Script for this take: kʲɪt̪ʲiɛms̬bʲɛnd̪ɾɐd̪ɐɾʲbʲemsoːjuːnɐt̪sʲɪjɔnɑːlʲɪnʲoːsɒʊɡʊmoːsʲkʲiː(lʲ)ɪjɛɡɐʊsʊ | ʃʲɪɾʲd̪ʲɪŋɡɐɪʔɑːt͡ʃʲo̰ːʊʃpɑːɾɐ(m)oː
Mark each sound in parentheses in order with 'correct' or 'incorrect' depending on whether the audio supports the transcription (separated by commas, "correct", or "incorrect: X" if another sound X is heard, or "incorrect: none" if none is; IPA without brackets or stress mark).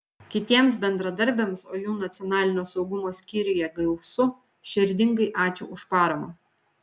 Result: incorrect: ɾʲ, correct